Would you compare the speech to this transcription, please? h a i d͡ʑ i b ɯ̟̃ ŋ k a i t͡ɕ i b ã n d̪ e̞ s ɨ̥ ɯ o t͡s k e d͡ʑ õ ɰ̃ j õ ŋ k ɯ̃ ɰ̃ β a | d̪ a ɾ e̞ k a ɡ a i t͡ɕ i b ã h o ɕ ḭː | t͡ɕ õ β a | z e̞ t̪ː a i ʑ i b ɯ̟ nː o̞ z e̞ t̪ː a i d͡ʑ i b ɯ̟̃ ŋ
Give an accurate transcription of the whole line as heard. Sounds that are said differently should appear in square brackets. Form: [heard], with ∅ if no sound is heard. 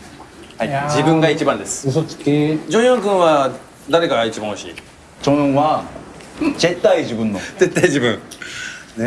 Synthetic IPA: h a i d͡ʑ i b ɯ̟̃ ŋ [ɡ] a i t͡ɕ i b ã n d̪ e̞ s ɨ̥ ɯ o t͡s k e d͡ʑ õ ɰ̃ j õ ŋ k ɯ̃ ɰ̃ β a | d̪ a ɾ e̞ k a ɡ a i t͡ɕ i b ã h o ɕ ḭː | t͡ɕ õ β a | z e̞ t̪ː a i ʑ i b [ɯ̟̃] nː o̞ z e̞ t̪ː a i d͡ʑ i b ɯ̟̃ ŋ